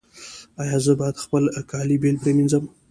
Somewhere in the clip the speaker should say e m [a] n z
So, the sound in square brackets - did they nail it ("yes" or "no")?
no